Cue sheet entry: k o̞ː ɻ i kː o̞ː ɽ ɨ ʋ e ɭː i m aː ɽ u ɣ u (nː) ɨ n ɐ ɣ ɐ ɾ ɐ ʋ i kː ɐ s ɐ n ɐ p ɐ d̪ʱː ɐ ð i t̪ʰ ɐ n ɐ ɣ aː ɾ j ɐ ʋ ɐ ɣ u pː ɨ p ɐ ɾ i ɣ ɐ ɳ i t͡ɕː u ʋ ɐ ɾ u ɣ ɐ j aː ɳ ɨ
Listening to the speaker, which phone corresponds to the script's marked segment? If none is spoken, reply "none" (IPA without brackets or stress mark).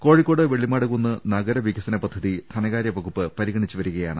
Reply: nː